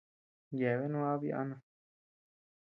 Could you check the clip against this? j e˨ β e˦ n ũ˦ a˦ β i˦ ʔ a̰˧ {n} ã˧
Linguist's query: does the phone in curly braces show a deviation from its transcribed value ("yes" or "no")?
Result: no